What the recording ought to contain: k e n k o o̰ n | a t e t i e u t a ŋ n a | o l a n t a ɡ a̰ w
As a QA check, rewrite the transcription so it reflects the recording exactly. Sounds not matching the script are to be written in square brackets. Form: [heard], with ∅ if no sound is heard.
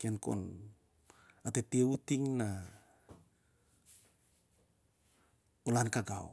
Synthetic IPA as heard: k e n k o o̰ n | a t e t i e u t [i] ŋ n a | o l a n [k] a ɡ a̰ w